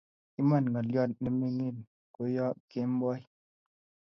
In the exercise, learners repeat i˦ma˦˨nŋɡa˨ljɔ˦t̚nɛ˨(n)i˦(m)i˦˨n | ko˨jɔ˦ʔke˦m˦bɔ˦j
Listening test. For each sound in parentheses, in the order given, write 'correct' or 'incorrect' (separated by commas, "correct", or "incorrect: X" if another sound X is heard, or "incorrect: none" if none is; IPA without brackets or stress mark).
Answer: incorrect: m, incorrect: ŋ